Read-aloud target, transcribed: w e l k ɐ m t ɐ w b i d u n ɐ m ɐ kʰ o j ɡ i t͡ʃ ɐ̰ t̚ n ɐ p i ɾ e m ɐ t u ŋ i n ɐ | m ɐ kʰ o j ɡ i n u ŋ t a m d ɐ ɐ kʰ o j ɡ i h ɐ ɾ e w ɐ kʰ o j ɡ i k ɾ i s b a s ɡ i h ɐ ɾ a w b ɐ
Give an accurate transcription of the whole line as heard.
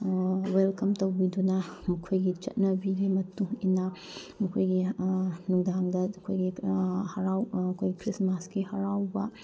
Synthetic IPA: w e l k ɐ m t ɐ w b i d u n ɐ m ɐ kʰ o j ɡ i t͡ʃ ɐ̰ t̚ n ɐ b i ɾ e m ɐ t u ŋ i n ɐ | m ɐ kʰ o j ɡ i n u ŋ d a ŋ d ɐ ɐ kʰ o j ɡ i h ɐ ɾ a w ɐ kʰ o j ɡ i k ɾ i s m a s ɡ i h ɐ ɾ a w b ɐ

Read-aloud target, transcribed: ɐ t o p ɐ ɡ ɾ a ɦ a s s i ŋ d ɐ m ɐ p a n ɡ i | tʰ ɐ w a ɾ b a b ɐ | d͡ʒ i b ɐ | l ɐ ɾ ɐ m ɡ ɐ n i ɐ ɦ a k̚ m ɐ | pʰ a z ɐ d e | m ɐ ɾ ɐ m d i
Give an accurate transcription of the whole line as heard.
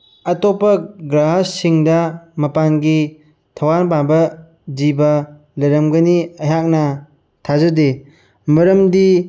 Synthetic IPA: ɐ t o p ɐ ɡ ɾ a ɦ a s s i ŋ d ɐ m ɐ p a n ɡ i | tʰ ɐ w a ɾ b a b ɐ | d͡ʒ i b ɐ | l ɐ ɾ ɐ m ɡ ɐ n i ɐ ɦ a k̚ n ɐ | tʰ a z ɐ d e | m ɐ ɾ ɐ m d i

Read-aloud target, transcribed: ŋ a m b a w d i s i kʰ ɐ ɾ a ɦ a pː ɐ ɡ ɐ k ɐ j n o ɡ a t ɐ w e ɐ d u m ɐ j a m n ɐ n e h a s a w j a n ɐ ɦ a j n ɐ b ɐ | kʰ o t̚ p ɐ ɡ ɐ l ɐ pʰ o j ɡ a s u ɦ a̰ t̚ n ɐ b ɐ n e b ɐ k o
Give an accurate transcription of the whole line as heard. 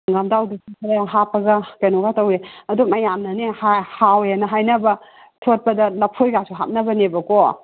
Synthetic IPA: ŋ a m d a w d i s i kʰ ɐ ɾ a ɦ a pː ɐ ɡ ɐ k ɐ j n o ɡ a t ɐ w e ɐ d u m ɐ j a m n ɐ n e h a h a w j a n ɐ ɦ a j n ɐ b ɐ | tʰ o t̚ p ɐ d ɐ l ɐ pʰ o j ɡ a s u ɦ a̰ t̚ n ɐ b ɐ n e b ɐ k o

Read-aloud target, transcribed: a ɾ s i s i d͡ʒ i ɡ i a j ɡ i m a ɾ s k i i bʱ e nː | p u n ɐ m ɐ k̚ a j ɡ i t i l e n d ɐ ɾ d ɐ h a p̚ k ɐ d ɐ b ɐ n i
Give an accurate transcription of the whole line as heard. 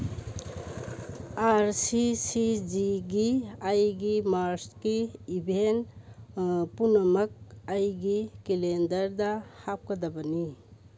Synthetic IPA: a ɾ s i s i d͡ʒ i ɡ i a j ɡ i m a ɾ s k i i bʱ e n | p u n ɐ m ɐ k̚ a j ɡ i k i l e n d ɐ ɾ d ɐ h a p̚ k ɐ d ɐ b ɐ n i

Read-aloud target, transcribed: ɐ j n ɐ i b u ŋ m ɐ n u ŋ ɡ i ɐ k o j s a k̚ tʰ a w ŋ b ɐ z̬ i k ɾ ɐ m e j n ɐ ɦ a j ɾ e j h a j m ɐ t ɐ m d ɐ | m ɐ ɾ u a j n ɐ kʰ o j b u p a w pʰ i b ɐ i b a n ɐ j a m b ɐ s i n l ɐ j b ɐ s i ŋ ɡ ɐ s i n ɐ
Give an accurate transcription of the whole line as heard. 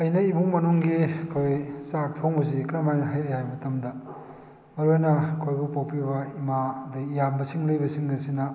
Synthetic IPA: ɐ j n ɐ i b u ŋ m ɐ n u ŋ ɡ i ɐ kʰ o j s a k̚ tʰ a w ŋ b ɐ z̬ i k ɾ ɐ m a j n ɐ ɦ a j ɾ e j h a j m ɐ t ɐ m d ɐ | m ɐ ɾ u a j n ɐ kʰ o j b u p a w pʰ i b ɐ i m a d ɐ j a m b ɐ s i ŋ l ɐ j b ɐ s i ŋ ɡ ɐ s i n ɐ

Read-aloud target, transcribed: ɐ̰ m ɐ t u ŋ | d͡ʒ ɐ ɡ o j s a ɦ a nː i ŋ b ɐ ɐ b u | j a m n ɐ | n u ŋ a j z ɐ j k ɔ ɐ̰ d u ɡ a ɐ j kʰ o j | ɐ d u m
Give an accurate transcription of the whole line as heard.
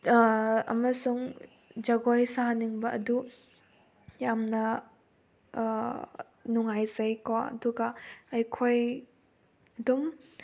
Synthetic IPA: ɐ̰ m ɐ s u ŋ | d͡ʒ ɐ ɡ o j s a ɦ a n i ŋ b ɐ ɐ d u | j a m n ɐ | n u ŋ a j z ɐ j k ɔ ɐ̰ d u ɡ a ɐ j kʰ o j | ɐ d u m

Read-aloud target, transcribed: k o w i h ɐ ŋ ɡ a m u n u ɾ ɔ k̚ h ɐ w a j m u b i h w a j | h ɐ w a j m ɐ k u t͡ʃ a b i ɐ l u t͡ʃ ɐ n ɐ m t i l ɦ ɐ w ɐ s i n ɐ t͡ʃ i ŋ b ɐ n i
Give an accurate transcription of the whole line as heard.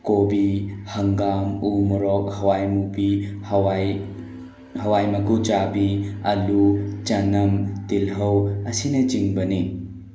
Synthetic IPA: k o b i h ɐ ŋ ɡ a m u m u ɾ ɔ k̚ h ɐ w a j m u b i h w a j | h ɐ w a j m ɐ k u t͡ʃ a b i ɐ l u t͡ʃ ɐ n ɐ m t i l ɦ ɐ w ɐ s i n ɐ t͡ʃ i ŋ b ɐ n i

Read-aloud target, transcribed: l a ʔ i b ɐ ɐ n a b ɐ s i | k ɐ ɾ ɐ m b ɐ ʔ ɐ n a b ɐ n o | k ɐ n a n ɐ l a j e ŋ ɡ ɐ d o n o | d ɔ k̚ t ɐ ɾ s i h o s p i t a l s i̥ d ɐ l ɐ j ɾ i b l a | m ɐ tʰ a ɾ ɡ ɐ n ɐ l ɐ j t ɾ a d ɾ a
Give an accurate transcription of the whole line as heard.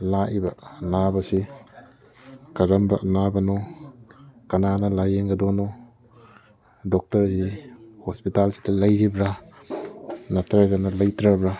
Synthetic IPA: l a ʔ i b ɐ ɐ n a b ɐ s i | k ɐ ɾ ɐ m b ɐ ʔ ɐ n a b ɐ n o | k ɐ n a n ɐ l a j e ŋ ɡ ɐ d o n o | d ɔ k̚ t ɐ ɾ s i h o s p i t a l s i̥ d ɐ l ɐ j ɾ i b ɾ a | n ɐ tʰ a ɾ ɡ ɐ n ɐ l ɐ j t ɾ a b ɾ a

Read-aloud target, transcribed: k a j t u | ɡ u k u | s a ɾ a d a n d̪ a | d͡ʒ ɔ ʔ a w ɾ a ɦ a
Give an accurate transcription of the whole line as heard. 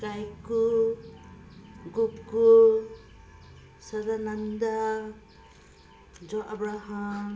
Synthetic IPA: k a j k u | ɡ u k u | s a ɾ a n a n d̪ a | d͡ʒ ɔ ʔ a b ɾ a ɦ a

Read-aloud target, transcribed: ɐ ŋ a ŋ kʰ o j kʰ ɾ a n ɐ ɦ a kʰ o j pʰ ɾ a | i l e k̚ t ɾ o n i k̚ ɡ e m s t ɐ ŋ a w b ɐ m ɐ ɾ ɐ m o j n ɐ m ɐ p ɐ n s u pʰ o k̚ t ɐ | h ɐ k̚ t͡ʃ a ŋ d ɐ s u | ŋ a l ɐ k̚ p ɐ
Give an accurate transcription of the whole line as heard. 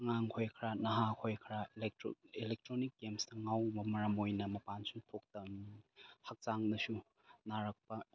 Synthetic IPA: ɐ ŋ a ŋ kʰ o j kʰ ɾ a n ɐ ɦ a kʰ o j kʰ ɾ a | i l e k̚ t ɾ o n i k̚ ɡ e m s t ɐ ŋ a w b ɐ m ɐ ɾ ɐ m o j n ɐ m ɐ p a n s u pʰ o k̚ t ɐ | h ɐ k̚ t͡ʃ a ŋ d ɐ s u | n a ɾ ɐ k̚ p ɐ

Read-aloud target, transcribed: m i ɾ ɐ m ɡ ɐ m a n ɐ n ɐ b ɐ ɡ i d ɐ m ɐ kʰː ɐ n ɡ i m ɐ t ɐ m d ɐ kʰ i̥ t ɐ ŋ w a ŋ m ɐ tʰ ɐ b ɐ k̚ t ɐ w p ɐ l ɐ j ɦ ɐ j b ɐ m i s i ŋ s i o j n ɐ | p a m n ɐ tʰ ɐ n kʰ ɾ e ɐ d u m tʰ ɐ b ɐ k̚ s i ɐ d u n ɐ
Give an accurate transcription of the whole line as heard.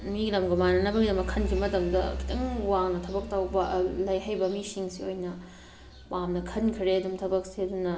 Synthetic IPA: m i l ɐ m ɡ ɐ m a n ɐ n ɐ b ɐ ɡ i d ɐ m ɐ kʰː ɐ n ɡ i m ɐ t ɐ m d ɐ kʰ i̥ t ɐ ŋ w a ŋ n ɐ tʰ ɐ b ɐ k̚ t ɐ w b ɐ l ɐ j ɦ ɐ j b ɐ m i s i ŋ s i o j n ɐ | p a m n ɐ kʰ ɐ n kʰ ɾ e ɐ d u m tʰ ɐ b ɐ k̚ s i ɐ d u n ɐ

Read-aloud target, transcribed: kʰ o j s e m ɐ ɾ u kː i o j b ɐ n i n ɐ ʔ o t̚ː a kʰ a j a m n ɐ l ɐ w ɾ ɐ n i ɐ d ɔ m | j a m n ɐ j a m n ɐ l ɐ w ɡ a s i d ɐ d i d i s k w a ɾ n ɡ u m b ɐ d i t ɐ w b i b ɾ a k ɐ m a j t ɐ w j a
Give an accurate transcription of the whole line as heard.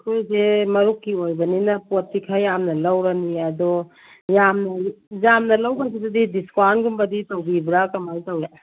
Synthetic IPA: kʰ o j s e m ɐ ɾ u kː i o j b ɐ n i n ɐ p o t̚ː i kʰ a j a m n ɐ l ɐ w ɾ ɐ n i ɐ d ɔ | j a m n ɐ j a m n ɐ l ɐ w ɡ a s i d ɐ d i d i s k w a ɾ n ɡ u m b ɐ d i t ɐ w b i b ɾ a k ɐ m a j t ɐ w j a

